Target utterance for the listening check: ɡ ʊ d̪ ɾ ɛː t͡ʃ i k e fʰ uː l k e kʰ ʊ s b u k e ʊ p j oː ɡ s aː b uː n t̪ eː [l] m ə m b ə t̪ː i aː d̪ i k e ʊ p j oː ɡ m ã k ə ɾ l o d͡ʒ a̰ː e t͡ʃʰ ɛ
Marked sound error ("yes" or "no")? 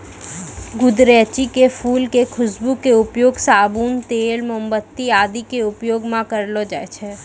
no